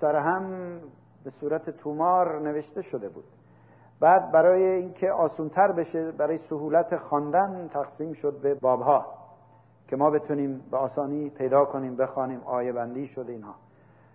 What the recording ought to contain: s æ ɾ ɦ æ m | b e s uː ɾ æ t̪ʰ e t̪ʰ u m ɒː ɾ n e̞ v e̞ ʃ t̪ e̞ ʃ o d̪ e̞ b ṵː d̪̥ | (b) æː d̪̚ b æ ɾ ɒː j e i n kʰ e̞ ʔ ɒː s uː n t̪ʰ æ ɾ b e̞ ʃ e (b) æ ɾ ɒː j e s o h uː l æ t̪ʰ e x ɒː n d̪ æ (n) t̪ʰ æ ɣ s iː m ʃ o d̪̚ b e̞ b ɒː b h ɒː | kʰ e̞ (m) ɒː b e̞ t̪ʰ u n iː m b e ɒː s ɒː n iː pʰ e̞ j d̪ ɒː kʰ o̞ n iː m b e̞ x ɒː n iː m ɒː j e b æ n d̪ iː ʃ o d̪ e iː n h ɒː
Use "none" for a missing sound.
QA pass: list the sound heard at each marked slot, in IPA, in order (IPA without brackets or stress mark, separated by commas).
b, b, n, m